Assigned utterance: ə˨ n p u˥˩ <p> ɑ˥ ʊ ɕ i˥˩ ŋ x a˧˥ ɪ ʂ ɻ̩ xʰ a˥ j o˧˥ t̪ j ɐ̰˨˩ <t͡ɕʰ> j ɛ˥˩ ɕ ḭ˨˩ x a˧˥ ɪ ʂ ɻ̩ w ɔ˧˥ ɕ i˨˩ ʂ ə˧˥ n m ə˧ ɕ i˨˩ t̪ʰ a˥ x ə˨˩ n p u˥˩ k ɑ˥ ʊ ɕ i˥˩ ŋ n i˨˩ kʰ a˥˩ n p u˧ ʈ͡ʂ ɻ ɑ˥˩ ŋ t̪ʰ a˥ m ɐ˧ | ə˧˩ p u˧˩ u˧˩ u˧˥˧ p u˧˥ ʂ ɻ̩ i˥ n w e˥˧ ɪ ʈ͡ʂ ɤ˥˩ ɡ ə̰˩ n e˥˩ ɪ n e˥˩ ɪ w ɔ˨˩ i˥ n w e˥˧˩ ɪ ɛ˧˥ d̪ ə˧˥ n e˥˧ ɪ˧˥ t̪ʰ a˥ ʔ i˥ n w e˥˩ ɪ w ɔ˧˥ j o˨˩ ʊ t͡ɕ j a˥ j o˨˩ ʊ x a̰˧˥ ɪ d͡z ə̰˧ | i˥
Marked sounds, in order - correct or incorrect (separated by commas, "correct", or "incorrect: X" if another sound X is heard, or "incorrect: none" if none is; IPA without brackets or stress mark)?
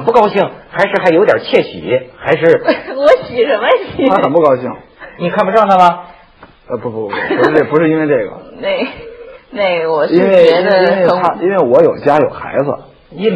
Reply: incorrect: k, correct